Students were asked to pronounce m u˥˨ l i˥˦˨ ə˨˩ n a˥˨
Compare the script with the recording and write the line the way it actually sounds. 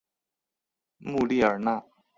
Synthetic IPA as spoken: m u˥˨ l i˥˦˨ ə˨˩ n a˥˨